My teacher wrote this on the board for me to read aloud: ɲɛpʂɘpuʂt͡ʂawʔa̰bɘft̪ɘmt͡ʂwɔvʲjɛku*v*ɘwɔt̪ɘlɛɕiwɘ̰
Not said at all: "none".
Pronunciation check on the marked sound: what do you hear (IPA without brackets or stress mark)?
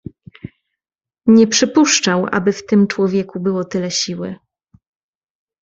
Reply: b